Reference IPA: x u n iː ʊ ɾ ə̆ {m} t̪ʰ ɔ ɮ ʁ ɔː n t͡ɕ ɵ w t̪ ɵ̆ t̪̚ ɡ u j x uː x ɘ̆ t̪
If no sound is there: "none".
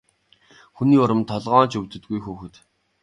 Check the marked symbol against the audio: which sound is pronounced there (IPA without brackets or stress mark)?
m